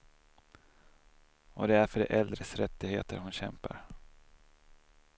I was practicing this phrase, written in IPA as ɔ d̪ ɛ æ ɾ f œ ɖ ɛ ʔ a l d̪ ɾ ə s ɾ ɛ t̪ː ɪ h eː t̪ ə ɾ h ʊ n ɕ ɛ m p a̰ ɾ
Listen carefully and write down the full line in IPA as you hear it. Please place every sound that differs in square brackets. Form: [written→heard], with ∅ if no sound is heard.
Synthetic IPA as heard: ɔ d̪ ɛ æ ɾ f œ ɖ ɛ ʔ [a→ɛ] l d̪ ɾ ə s ɾ ɛ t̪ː ɪ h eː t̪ ə ɾ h ʊ n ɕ ɛ m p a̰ ɾ